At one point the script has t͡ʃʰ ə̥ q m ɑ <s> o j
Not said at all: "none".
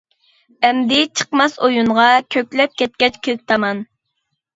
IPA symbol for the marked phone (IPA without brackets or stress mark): s